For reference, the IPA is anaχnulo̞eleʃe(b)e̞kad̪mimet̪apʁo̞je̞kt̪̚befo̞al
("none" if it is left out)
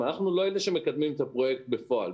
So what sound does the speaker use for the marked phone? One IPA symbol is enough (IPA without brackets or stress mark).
m